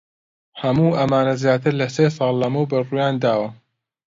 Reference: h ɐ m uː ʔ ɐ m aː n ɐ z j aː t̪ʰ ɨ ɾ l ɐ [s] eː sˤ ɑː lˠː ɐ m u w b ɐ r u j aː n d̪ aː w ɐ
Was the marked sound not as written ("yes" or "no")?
no